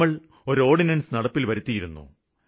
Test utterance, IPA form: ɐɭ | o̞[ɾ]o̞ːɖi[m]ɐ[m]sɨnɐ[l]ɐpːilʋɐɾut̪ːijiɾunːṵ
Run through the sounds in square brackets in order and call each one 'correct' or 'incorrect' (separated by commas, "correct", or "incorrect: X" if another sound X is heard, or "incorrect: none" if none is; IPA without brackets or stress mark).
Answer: correct, incorrect: n, incorrect: n, incorrect: ɽ